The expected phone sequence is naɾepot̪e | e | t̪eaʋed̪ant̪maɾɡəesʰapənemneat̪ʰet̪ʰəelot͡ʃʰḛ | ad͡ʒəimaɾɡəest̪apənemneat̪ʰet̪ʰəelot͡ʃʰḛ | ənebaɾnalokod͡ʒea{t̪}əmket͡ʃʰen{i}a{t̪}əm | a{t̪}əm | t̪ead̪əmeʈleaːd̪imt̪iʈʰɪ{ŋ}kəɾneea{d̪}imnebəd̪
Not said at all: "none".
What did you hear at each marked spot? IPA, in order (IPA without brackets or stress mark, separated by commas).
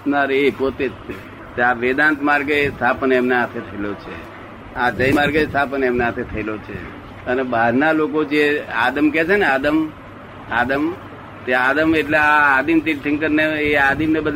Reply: d̪, e, d̪, d̪, ŋ, d̪